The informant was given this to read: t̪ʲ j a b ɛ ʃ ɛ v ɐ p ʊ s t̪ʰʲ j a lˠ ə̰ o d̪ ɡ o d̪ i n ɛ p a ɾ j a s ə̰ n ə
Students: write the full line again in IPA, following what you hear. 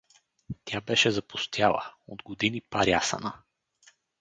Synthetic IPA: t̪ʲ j a b ɛ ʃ ɛ z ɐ p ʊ s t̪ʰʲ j a lˠ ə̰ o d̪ ɡ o d̪ i n i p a ɾ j a s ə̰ n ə